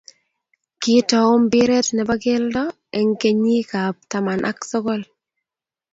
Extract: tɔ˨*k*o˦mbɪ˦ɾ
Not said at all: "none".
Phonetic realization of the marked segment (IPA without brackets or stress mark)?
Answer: none